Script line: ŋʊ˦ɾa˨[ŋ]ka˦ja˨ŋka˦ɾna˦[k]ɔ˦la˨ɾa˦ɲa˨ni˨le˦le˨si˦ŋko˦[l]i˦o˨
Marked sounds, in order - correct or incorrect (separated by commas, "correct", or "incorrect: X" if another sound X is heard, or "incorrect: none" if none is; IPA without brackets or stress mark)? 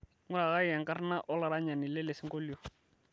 incorrect: none, incorrect: ʔ, correct